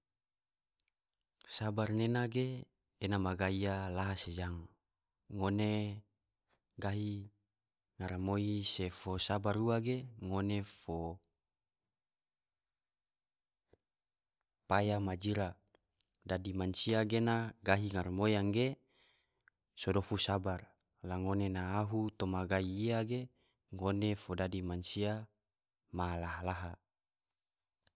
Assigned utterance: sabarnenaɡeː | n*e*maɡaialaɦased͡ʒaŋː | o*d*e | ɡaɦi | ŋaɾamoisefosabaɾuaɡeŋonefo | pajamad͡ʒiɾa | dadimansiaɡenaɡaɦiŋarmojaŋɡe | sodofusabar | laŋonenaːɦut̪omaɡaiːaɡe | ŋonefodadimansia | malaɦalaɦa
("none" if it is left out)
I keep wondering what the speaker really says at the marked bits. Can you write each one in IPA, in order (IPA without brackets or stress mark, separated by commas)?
a, n